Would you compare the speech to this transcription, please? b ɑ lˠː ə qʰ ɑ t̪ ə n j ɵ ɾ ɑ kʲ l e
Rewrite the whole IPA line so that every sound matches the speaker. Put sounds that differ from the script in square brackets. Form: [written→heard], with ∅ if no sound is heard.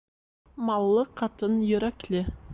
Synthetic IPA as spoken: [b→m] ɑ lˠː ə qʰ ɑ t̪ ə n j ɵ ɾ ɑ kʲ l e